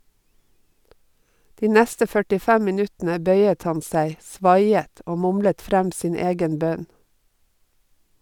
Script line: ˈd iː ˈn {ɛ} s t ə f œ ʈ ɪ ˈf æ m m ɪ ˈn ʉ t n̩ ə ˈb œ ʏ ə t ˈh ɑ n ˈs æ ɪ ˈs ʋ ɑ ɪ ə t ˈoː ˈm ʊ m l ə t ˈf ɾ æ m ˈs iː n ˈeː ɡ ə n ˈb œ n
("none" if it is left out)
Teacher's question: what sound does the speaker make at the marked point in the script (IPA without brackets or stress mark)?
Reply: æ